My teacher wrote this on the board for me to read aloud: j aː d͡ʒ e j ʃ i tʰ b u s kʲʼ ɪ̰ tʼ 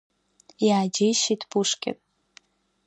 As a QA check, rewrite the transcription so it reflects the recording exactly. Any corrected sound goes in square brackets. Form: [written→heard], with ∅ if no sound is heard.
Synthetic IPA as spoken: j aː d͡ʒ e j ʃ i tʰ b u [s→ʂ] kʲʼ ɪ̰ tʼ